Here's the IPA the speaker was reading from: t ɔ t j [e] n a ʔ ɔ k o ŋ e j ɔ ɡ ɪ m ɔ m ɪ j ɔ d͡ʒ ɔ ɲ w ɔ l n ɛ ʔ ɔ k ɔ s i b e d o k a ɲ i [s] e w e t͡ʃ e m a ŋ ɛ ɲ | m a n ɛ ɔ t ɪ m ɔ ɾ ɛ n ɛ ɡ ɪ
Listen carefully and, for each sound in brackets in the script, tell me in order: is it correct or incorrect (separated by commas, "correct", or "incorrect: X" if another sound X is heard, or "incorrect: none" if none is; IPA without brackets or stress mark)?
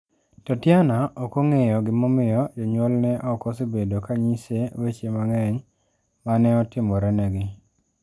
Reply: incorrect: a, correct